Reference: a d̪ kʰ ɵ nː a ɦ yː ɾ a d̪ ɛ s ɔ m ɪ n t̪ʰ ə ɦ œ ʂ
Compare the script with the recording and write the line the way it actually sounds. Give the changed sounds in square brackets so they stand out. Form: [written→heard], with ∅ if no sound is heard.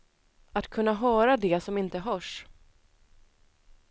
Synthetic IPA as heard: a [d̪→t̪] kʰ ɵ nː a ɦ [yː→œː] ɾ a d̪ ɛ s ɔ m ɪ n [t̪ʰ→t̪] ə ɦ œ ʂ